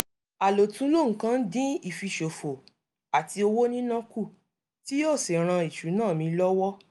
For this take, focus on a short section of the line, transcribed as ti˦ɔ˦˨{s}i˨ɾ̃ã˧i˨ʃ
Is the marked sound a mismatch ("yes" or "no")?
no